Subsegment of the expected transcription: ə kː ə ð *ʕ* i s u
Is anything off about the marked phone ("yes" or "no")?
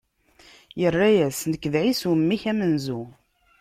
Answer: no